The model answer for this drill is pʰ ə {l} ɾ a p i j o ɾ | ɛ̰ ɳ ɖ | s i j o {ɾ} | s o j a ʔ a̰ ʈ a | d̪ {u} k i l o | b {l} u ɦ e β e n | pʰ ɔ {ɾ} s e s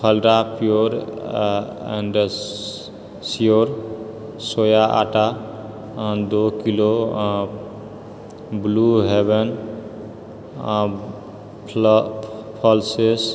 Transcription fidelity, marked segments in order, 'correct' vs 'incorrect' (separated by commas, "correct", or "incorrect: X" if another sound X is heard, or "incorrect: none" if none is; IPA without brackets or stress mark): correct, correct, incorrect: o, correct, incorrect: l